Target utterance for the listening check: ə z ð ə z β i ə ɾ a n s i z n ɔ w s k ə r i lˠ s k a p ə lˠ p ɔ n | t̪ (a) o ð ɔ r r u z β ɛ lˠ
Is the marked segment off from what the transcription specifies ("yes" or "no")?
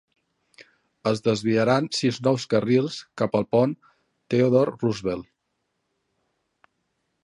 yes